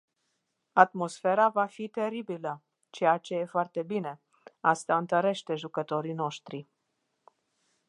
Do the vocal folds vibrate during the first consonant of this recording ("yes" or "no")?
no